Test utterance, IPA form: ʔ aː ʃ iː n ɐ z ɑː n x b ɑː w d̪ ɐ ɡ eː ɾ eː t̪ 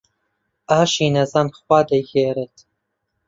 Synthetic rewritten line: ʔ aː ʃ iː n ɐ z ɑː n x w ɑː d̪ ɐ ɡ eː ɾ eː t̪